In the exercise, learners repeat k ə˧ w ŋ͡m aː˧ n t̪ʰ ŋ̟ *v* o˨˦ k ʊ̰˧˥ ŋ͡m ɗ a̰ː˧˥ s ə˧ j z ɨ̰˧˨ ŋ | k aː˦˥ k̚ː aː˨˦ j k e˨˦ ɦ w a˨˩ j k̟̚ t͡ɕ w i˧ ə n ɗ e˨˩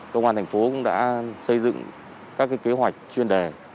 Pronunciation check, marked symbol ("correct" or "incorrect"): incorrect